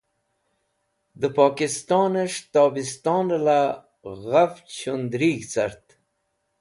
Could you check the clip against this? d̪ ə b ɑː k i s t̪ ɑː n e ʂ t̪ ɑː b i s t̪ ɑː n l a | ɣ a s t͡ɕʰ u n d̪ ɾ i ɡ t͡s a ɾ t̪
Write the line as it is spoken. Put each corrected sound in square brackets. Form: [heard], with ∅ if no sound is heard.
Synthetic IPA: d̪ ə [p] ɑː k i s t̪ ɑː n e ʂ t̪ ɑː b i s t̪ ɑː n l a | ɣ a [f] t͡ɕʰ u n d̪ ɾ i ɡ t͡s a ɾ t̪